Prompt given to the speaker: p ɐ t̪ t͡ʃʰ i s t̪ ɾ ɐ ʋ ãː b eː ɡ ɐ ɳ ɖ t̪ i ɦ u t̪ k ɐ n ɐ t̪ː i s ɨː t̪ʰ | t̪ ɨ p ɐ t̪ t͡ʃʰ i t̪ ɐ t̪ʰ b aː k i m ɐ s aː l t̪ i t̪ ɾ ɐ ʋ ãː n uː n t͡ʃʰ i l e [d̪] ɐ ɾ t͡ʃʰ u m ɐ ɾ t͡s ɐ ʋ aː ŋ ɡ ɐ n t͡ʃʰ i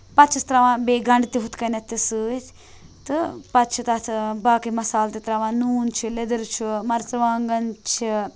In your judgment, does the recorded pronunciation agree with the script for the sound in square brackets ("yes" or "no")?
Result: yes